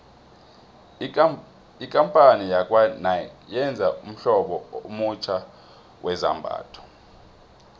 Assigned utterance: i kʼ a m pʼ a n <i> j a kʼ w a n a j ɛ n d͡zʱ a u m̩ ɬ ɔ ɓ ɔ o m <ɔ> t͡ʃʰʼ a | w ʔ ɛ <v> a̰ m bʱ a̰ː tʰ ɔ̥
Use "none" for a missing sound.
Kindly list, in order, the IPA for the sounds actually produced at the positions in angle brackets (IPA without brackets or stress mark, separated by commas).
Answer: i, u, z